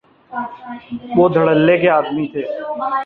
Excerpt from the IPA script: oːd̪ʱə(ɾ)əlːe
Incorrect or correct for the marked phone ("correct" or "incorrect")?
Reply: incorrect